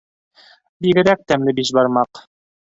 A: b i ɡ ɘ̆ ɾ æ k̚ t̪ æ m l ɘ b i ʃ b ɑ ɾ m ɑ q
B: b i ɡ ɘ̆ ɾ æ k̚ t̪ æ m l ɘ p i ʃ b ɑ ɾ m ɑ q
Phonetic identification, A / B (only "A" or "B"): A